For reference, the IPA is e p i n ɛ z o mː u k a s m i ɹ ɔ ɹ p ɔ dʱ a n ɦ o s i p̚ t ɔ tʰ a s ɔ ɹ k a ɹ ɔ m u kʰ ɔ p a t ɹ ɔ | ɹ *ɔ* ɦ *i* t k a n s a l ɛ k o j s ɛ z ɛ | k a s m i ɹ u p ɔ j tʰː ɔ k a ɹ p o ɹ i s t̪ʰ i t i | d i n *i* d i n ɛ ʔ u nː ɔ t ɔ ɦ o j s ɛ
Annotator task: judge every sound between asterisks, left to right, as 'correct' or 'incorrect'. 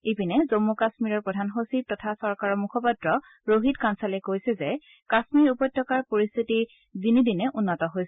incorrect: o, correct, correct

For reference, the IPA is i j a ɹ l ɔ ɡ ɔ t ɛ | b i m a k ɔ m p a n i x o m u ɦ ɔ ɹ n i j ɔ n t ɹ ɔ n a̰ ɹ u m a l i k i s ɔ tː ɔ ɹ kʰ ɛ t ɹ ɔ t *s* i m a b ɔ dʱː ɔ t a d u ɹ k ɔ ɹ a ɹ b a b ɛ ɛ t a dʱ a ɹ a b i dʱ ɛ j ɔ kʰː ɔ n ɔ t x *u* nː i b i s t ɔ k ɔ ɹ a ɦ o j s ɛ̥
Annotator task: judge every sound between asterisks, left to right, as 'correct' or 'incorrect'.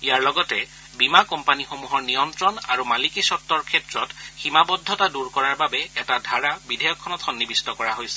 incorrect: x, incorrect: ɔ

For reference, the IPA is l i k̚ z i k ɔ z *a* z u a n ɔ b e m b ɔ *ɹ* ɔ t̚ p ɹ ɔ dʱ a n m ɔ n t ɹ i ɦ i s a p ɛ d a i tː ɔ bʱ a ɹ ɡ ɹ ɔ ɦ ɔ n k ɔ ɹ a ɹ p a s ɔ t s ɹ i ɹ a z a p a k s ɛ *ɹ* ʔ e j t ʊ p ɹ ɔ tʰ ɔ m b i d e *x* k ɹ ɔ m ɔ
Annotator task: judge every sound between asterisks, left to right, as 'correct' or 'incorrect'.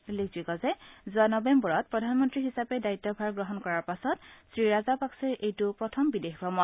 incorrect: ɛ, correct, correct, correct

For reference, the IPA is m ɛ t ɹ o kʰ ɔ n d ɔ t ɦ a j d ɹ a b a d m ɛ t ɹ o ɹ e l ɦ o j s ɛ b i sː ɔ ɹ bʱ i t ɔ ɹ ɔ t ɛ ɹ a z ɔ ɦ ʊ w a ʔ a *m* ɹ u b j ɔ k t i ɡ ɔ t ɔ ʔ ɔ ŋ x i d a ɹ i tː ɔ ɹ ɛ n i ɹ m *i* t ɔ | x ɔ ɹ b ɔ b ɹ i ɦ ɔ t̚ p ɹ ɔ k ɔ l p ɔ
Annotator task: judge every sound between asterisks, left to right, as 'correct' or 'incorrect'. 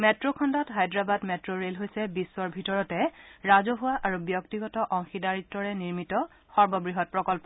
incorrect: none, correct

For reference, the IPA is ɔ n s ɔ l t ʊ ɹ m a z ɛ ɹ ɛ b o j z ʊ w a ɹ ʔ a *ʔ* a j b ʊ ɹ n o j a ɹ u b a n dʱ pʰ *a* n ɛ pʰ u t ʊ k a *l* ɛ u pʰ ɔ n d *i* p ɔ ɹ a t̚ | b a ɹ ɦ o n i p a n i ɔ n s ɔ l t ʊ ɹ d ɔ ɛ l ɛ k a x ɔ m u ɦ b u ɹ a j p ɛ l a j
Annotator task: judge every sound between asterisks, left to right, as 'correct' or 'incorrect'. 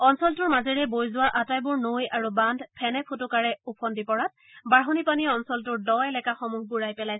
incorrect: t, incorrect: ɛ, incorrect: ɹ, correct

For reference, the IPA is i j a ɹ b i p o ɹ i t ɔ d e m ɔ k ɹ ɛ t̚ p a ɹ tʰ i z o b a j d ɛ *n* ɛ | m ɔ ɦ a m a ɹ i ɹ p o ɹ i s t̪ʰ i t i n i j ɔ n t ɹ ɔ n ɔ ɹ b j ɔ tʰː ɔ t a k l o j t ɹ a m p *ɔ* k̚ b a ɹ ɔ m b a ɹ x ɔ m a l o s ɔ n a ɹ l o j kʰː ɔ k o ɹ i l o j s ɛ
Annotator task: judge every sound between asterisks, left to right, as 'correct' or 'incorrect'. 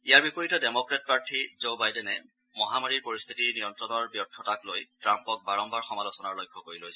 correct, correct

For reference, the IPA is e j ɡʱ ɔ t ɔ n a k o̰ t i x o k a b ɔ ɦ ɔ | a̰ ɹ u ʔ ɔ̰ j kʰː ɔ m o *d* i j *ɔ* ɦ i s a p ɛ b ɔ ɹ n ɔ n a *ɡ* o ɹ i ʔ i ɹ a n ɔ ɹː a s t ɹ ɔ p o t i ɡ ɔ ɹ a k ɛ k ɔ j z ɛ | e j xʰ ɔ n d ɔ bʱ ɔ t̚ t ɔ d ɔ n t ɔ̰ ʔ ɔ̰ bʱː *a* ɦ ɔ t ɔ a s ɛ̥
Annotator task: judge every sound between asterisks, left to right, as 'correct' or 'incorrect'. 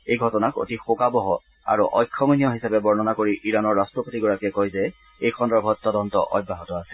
incorrect: n, correct, incorrect: k, correct

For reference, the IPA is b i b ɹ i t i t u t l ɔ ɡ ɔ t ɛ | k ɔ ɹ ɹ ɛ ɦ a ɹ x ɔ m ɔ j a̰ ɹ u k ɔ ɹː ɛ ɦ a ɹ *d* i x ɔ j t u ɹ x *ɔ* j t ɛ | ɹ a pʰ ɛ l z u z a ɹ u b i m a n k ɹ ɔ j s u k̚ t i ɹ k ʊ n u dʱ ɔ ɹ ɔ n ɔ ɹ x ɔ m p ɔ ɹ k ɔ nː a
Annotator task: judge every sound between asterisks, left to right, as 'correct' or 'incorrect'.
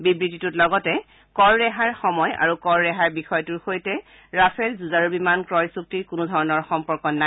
incorrect: b, incorrect: o

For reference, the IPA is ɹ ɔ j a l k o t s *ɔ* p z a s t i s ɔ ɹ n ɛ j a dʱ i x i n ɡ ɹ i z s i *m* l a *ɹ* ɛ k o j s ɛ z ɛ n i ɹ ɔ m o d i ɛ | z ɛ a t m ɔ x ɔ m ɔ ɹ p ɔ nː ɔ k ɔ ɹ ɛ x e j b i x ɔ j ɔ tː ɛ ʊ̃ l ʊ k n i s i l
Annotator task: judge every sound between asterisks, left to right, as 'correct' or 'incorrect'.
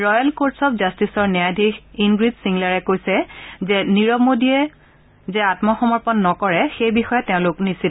correct, incorrect: ŋ, correct

